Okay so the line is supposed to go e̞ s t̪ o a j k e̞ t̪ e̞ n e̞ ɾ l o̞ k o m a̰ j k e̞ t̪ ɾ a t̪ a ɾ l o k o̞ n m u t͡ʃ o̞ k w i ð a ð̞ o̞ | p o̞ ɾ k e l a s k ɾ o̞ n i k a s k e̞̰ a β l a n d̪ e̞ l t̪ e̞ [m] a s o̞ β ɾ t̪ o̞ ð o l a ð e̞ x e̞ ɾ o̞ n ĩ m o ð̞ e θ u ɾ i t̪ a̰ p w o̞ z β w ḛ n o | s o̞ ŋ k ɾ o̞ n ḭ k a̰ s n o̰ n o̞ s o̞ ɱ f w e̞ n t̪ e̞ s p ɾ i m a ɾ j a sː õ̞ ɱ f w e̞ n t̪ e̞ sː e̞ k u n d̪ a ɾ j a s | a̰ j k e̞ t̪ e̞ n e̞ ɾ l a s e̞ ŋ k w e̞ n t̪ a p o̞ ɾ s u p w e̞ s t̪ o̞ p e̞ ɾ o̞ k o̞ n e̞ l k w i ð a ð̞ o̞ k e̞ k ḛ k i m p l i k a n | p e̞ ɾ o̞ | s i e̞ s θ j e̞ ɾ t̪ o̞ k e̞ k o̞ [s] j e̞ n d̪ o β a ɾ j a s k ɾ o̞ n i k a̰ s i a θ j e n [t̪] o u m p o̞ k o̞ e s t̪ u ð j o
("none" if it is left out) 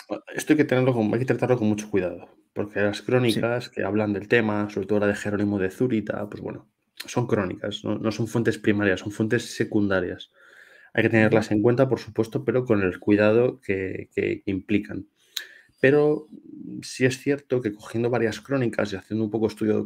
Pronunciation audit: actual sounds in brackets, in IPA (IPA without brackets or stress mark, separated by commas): m, x, d̪